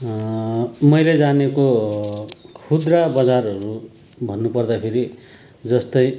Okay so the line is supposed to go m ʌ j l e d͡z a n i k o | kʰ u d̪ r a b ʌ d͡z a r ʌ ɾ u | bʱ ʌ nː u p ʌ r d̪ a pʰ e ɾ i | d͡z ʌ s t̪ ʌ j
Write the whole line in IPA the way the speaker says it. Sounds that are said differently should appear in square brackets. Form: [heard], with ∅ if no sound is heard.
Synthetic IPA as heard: m ʌ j l e d͡z a n [e] k o | kʰ u d̪ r a b ʌ d͡z a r ʌ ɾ u | bʱ ʌ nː u p ʌ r d̪ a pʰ e ɾ i | d͡z ʌ s t̪ ʌ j